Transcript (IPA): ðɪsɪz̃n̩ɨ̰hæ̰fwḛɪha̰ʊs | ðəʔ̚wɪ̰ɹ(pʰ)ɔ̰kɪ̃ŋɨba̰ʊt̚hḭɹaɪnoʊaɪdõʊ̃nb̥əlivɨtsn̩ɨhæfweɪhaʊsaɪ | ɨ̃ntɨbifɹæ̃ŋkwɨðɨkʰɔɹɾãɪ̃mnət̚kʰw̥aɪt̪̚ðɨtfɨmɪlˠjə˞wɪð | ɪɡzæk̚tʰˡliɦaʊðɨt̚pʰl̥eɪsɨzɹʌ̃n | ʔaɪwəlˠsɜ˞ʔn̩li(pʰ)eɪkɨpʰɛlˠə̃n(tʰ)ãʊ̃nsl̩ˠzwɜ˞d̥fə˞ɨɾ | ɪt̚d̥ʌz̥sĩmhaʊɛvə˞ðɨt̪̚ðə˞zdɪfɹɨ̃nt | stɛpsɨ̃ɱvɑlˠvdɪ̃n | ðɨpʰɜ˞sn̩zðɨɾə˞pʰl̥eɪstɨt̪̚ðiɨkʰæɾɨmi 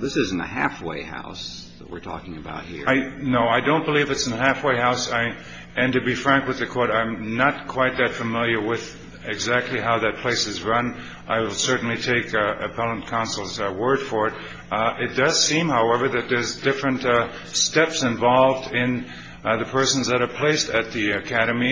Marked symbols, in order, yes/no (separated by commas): no, no, no